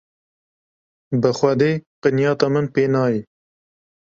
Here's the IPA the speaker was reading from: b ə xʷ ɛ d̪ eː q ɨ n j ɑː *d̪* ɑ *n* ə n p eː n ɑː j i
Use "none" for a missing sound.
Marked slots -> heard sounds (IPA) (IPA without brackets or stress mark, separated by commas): t̪, m